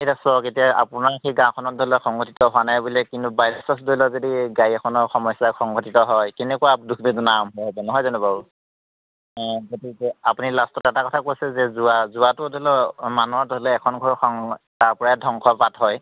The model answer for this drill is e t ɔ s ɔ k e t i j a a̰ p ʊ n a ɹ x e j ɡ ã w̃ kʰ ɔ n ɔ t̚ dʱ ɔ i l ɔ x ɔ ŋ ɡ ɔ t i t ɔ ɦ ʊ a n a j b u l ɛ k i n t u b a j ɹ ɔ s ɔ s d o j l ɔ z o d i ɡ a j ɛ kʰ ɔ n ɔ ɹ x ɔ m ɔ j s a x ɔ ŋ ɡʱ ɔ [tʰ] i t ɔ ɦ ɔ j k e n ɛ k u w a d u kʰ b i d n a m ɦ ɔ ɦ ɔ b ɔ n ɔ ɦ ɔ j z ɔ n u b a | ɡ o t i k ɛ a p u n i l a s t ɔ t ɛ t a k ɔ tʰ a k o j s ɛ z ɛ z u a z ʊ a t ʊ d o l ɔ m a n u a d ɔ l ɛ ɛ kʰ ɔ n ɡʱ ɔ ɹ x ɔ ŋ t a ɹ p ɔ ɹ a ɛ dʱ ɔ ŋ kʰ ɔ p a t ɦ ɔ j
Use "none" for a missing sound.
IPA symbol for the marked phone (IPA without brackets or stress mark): t